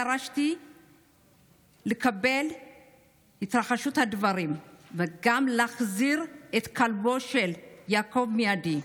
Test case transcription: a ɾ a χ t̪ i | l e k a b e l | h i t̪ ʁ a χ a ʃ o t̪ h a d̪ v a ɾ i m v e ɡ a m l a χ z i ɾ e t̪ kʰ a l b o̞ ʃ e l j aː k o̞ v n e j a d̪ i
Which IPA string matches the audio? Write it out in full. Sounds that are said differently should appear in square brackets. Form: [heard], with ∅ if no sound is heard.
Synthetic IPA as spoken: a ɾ a [ʃ] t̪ i | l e k a b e l | h i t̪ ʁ a χ a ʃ [u] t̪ h a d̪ v a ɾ i m v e ɡ a m l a χ z i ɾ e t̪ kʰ a l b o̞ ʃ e l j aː k o̞ v [m] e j a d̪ i